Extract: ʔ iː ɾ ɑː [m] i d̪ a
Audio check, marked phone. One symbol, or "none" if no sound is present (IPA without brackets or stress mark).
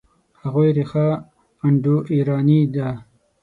n